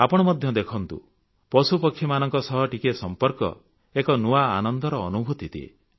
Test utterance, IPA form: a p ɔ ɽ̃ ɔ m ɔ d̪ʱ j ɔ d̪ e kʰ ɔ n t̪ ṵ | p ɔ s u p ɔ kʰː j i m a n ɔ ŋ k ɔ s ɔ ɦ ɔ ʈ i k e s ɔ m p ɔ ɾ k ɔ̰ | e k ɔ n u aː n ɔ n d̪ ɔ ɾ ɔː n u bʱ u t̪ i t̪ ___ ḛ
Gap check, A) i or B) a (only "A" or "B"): A